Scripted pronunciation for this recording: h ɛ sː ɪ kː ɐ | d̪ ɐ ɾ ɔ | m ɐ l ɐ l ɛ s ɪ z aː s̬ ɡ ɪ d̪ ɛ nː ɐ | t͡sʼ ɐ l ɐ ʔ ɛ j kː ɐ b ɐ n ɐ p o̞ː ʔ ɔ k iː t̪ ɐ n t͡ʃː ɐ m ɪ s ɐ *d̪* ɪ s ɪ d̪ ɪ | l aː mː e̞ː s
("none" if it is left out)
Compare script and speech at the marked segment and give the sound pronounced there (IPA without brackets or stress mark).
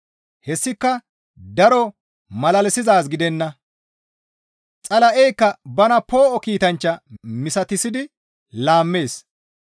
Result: t̪